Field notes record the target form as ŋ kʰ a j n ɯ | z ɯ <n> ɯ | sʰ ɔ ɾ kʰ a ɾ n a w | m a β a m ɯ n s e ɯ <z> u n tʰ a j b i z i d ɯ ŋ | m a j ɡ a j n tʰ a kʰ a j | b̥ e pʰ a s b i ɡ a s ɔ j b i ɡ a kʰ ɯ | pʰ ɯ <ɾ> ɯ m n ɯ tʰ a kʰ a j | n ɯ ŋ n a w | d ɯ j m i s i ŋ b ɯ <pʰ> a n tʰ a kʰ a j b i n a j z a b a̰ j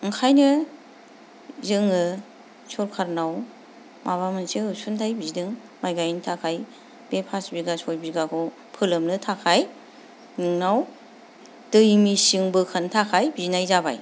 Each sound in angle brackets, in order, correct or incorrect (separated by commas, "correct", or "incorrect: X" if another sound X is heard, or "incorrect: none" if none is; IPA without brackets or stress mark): incorrect: ŋ, incorrect: s, incorrect: l, incorrect: kʰ